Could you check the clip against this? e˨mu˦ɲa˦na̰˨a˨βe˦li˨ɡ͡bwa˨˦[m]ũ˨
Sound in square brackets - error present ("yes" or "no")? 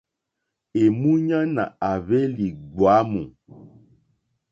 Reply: no